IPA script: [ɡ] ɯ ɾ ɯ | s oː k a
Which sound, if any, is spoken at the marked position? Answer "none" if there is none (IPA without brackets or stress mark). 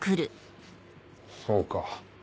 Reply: k